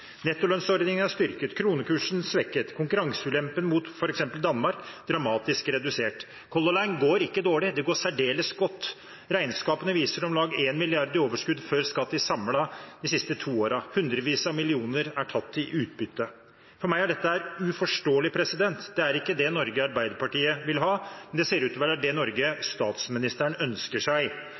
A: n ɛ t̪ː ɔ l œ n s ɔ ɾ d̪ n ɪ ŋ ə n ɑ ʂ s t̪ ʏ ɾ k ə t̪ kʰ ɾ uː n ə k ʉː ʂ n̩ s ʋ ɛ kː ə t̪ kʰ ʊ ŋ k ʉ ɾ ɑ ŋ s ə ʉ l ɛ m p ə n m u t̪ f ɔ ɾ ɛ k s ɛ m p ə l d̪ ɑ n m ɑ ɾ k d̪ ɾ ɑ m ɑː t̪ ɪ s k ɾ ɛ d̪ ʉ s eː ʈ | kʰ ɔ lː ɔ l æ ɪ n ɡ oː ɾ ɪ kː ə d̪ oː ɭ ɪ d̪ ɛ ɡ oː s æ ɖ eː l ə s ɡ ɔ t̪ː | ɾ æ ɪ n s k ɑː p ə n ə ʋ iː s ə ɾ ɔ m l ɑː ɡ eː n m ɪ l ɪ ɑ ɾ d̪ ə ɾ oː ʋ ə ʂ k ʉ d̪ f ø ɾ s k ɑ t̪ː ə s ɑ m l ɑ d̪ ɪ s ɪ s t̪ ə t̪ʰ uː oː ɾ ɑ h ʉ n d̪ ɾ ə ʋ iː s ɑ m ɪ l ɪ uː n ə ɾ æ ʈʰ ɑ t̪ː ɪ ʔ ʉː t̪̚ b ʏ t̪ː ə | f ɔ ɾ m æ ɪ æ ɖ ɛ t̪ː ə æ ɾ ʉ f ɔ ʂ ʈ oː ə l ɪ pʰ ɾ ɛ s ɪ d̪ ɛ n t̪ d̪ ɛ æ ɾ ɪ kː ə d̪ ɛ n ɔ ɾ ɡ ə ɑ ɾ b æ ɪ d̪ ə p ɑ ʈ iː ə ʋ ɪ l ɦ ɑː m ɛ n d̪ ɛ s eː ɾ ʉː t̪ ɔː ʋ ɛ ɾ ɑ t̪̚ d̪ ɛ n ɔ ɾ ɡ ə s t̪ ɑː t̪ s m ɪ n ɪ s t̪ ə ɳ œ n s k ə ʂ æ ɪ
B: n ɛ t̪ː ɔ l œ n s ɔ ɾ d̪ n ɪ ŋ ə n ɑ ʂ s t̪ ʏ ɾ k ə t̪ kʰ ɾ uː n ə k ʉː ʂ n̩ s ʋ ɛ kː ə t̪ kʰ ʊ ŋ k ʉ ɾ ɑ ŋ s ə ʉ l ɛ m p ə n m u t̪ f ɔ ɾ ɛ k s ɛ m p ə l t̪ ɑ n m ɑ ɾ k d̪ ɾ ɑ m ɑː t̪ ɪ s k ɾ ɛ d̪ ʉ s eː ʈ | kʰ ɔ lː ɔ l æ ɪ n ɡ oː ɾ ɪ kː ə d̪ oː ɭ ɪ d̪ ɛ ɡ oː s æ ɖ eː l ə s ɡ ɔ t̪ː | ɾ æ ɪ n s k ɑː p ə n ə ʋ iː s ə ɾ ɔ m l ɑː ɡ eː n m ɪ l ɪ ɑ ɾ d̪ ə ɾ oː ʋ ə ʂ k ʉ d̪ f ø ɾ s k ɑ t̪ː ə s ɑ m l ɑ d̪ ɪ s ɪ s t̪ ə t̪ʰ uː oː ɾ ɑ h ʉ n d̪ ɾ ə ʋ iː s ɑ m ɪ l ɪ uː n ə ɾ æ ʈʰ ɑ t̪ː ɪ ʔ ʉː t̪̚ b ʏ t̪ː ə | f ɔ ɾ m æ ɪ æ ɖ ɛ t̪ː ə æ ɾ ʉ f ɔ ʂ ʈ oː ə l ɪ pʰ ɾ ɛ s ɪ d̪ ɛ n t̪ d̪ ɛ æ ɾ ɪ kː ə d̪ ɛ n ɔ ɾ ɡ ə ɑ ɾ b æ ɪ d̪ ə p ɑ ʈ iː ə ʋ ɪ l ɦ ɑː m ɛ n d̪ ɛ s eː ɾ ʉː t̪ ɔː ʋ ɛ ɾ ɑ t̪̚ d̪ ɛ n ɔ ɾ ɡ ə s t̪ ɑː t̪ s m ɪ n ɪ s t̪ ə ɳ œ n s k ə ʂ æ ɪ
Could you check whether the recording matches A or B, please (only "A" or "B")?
A